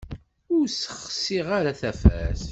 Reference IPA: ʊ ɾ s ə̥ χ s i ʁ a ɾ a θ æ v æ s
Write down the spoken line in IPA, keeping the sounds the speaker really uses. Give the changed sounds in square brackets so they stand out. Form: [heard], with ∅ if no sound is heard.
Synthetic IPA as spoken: ʊ ɾ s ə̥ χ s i ʁ a ɾ a θ æ [f] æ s